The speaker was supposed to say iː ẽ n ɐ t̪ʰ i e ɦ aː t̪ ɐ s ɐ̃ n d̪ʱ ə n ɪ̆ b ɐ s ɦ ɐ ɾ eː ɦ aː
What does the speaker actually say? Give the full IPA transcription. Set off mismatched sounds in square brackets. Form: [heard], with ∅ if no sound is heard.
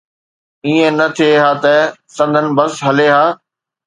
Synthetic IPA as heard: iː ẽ n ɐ t̪ʰ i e ɦ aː t̪ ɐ s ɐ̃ n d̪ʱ ə n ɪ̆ b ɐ s ɦ ɐ [l] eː ɦ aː